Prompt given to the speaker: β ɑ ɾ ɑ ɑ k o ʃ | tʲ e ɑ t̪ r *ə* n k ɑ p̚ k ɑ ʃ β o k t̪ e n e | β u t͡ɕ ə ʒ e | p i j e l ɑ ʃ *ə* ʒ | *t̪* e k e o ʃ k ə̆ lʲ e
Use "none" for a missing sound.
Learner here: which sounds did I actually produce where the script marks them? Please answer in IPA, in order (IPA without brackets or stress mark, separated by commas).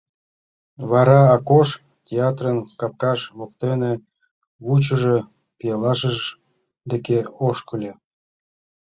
ə, ə, d̪